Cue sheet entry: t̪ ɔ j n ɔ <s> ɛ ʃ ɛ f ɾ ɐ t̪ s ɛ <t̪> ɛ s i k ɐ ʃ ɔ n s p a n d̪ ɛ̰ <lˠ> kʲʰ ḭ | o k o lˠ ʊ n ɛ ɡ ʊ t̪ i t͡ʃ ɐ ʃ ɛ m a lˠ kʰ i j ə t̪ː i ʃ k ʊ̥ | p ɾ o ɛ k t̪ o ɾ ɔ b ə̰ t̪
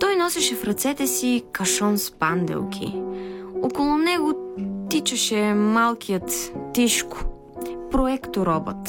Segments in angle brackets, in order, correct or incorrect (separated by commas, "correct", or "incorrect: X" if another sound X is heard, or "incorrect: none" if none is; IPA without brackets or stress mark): correct, correct, correct